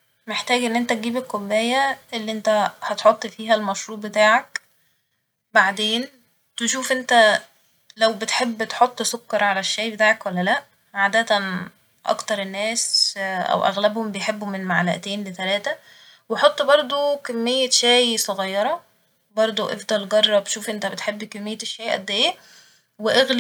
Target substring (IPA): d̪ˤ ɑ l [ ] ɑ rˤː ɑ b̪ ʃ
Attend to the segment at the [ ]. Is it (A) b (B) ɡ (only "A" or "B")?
B